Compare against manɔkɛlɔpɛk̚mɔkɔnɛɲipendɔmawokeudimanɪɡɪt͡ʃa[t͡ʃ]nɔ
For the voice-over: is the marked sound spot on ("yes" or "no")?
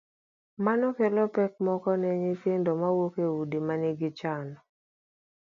no